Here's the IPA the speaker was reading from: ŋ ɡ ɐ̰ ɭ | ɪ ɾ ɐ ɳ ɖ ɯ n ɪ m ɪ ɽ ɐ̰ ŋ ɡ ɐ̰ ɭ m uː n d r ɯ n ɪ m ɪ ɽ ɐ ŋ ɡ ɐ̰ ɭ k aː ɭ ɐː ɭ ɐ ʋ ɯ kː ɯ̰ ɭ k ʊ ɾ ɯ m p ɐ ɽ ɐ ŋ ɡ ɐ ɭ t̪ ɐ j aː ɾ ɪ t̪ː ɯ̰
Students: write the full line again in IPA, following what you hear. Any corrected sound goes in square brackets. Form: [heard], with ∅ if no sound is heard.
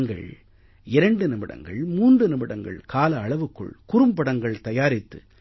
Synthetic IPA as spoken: ŋ ɡ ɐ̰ ɭ | ɪ ɾ ɐ ɳ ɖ ɯ n ɪ m ɪ ɽ ɐ̰ ŋ ɡ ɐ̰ ɭ m uː n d r ɯ n ɪ m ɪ ɽ ɐ ŋ ɡ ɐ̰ ɭ k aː [l] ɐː ɭ ɐ ʋ ɯ kː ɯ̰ ɭ k ʊ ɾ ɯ m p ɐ ɽ ɐ ŋ ɡ ɐ ɭ t̪ ɐ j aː ɾ ɪ t̪ː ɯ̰

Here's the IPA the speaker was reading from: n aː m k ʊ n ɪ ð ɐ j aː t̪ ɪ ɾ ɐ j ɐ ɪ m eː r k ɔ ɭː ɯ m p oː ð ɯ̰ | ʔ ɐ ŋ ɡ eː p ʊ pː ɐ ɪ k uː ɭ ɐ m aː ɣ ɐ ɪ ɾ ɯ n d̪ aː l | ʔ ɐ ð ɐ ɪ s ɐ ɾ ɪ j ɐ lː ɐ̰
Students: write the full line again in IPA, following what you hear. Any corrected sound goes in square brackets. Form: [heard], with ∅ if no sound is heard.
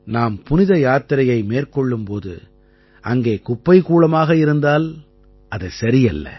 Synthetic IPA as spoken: n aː m [p] ʊ n ɪ ð ɐ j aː t̪ ɪ ɾ ɐ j ɐ ɪ m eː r k ɔ ɭː ɯ m p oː ð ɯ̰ | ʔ ɐ ŋ ɡ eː [k] ʊ pː ɐ ɪ k uː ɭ ɐ m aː ɣ ɐ ɪ ɾ ɯ n d̪ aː l | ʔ ɐ ð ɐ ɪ s ɐ ɾ ɪ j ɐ lː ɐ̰

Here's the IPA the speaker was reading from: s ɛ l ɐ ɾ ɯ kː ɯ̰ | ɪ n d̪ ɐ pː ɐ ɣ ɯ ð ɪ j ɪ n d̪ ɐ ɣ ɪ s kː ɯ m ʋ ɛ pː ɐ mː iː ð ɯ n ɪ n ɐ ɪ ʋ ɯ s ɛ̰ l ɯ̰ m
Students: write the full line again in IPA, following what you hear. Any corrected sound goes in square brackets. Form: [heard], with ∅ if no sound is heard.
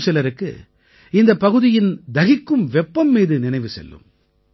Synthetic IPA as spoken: s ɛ l ɐ ɾ ɯ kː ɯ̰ | ɪ n d̪ ɐ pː ɐ ɣ ɯ ð ɪ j ɪ n d̪ ɐ ɣ ɪ [∅] kː ɯ m ʋ ɛ pː ɐ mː iː ð ɯ n ɪ n ɐ ɪ ʋ ɯ s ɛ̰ [lː] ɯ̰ m

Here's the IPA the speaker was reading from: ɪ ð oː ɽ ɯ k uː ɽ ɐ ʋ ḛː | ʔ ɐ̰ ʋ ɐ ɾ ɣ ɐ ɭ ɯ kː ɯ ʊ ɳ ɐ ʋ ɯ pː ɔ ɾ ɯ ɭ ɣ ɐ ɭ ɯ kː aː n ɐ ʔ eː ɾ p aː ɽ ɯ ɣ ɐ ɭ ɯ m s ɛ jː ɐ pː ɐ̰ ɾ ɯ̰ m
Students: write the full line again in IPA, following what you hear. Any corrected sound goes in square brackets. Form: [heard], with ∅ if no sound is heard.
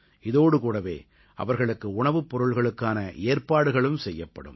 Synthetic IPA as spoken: ɪ ð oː ɽ ɯ k uː ɽ ɐ ʋ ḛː | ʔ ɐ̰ ʋ ɐ ɾ ɣ ɐ ɭ ɯ kː ɯ ʊ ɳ ɐ ʋ ɯ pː ɔ ɾ ɯ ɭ ɣ ɐ ɭ ɯ kː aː n ɐ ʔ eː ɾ p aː ɽ ɯ ɣ ɐ ɭ ɯ m s ɛ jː ɐ pː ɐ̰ [ɽ] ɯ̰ m

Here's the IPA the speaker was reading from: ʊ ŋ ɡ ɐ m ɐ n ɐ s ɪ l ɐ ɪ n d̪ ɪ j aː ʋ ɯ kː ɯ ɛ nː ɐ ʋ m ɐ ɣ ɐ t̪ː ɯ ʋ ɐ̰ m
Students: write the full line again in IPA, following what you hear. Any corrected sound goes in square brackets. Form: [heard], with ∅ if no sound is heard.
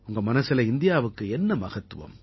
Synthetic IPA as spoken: ʊ ŋ ɡ ɐ m ɐ n ɐ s ɪ l ɐ ɪ n d̪ ɪ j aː ʋ ɯ kː ɯ ɛ nː ɐ [∅] m ɐ ɣ ɐ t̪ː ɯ ʋ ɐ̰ m

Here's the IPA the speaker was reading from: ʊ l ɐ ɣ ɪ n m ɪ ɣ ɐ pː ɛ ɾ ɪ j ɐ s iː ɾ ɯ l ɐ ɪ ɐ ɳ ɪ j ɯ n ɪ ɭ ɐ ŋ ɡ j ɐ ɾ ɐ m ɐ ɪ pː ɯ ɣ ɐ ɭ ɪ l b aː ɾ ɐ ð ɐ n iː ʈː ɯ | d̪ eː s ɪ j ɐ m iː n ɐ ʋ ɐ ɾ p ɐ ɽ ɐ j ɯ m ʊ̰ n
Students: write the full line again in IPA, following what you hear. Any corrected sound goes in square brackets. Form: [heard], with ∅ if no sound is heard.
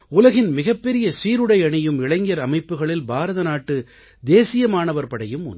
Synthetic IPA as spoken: ʊ l ɐ ɣ ɪ n m ɪ ɣ ɐ pː ɛ ɾ ɪ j ɐ s iː ɾ ɯ [ɽ] ɐ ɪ ɐ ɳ ɪ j ɯ [m] ɪ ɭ ɐ ŋ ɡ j ɐ ɾ ɐ m ɐ ɪ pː ɯ ɣ ɐ ɭ ɪ l b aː ɾ ɐ ð ɐ n [aː] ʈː ɯ | d̪ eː s ɪ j ɐ m [aː] n ɐ ʋ ɐ ɾ p ɐ ɽ ɐ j ɯ m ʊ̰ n

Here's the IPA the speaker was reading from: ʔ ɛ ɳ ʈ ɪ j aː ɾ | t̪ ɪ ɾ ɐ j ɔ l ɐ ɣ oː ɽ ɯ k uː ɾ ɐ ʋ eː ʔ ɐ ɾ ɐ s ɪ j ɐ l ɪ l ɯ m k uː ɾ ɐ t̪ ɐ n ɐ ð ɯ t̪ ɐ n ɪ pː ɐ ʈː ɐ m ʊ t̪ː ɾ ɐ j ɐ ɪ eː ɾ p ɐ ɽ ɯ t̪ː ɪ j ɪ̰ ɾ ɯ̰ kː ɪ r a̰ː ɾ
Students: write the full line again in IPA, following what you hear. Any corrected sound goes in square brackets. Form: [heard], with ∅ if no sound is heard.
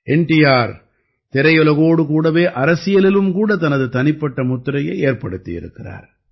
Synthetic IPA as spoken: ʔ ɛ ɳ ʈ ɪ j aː ɾ | t̪ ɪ ɾ ɐ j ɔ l ɐ ɣ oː ɽ ɯ k uː [ɽ] ɐ ʋ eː ʔ ɐ ɾ ɐ s ɪ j ɐ l ɪ l ɯ m k uː [ɽ] ɐ t̪ ɐ n ɐ ð ɯ t̪ ɐ n ɪ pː ɐ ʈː ɐ m ʊ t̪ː ɾ ɐ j ɐ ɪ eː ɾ p ɐ ɽ ɯ t̪ː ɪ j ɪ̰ ɾ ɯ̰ kː ɪ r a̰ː ɾ

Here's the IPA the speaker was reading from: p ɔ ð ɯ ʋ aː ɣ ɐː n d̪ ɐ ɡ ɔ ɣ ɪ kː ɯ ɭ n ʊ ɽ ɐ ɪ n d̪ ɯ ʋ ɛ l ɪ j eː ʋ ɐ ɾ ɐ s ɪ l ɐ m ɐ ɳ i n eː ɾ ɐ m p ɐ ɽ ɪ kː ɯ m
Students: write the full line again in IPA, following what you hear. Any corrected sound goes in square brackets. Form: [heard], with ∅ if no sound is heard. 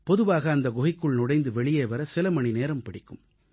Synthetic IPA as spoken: p ɔ ð ɯ ʋ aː ɣ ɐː n d̪ ɐ ɡ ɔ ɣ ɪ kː ɯ ɭ n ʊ ɽ ɐ ɪ n d̪ ɯ ʋ ɛ [ɭ] ɪ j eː ʋ ɐ ɾ ɐ s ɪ l ɐ m ɐ ɳ i n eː ɾ ɐ m p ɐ ɽ ɪ kː ɯ m

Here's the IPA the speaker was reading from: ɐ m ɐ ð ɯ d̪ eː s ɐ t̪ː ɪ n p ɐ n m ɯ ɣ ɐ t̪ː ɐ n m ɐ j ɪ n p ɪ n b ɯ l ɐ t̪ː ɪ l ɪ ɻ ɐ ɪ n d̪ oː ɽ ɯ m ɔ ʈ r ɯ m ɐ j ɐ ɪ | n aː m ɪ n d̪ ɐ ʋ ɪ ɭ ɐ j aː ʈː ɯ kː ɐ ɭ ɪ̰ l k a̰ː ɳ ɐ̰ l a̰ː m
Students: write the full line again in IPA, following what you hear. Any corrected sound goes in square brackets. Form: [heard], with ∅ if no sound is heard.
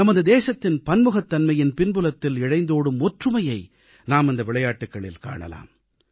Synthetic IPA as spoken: ɐ m ɐ ð ɯ d̪ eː s ɐ t̪ː ɪ n p ɐ n m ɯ ɣ ɐ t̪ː ɐ n m ɐ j ɪ n p ɪ n b ɯ l ɐ t̪ː ɪ l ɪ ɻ ɐ ɪ n d̪ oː ɽ ɯ m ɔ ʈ r ɯ m ɐ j ɐ ɪ | n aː m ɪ n d̪ ɐ ʋ ɪ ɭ ɐ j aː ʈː ɯ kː ɐ ɭ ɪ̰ l k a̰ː ɳ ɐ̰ l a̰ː m

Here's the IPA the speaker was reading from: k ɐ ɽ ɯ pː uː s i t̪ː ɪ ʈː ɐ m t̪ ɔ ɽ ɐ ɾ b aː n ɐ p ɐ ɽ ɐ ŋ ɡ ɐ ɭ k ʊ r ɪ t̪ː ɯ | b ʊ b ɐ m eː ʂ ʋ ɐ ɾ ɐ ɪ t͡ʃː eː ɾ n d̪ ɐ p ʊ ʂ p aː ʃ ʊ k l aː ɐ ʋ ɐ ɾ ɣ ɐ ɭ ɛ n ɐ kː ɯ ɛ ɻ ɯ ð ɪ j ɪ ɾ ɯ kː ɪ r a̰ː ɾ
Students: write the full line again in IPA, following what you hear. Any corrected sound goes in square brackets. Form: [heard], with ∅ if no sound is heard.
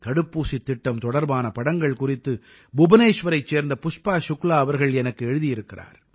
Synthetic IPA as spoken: k ɐ ɽ ɯ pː uː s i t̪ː ɪ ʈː ɐ m t̪ ɔ ɽ ɐ ɾ b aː n ɐ p ɐ ɽ ɐ ŋ ɡ ɐ ɭ k ʊ r ɪ t̪ː ɯ | b ʊ b ɐ [n] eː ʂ ʋ ɐ ɾ ɐ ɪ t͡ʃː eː ɾ n d̪ ɐ p ʊ ʂ p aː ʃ ʊ k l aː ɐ ʋ ɐ ɾ ɣ ɐ ɭ ɛ n ɐ kː ɯ ɛ ɻ ɯ ð ɪ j ɪ ɾ ɯ kː ɪ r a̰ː ɾ

